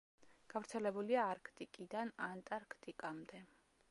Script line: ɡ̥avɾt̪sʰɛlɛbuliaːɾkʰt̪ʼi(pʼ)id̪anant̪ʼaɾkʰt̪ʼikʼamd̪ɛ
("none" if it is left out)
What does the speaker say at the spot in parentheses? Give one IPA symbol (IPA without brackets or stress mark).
kʼ